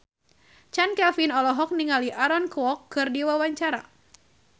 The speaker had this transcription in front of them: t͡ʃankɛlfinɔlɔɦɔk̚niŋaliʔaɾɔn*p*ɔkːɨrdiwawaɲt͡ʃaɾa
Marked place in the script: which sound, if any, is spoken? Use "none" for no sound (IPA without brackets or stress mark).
k